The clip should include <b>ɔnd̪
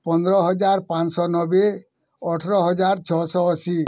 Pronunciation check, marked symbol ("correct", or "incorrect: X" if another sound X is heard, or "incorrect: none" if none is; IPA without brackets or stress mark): incorrect: p